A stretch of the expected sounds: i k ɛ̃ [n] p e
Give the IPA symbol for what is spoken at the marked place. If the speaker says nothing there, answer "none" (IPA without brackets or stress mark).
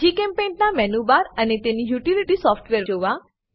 m